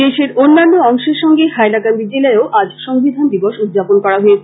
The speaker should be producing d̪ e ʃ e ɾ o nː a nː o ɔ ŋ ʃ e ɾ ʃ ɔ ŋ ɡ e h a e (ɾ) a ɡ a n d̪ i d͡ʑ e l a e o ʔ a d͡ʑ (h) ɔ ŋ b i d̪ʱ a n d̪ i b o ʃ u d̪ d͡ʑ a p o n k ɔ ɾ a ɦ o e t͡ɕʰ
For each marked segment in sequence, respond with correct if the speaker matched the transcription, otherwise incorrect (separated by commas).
incorrect, incorrect